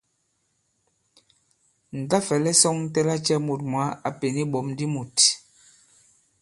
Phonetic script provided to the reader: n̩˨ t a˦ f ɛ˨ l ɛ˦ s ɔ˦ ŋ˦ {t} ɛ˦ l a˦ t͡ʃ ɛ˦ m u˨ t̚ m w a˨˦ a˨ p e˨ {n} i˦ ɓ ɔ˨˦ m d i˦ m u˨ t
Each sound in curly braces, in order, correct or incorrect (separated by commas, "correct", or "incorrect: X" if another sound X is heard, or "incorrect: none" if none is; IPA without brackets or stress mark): correct, correct